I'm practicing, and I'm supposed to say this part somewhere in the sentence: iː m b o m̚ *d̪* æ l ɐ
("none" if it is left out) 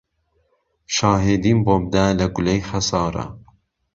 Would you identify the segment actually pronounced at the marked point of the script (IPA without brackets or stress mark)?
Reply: d̪